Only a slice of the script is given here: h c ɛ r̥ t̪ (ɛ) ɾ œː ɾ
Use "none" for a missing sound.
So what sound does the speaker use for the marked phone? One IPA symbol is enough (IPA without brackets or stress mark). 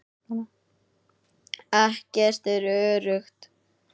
ɛ